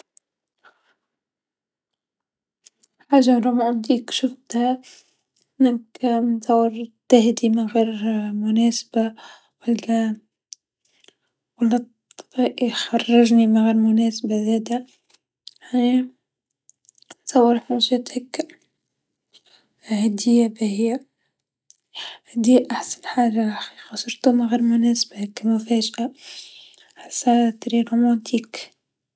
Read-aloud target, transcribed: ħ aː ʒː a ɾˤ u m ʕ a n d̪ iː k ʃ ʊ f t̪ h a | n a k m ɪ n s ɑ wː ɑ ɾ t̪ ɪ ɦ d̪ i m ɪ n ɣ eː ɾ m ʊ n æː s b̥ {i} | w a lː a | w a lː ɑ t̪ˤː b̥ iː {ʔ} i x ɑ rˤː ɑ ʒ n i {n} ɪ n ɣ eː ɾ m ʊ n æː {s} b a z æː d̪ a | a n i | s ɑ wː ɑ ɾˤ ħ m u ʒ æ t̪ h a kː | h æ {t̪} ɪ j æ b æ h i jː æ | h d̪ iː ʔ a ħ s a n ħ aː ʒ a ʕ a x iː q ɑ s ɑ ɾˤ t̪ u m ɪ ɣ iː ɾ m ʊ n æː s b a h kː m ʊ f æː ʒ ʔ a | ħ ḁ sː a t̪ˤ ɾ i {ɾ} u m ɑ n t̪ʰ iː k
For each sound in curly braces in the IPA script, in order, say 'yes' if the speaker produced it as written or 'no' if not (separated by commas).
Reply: no, yes, no, yes, no, yes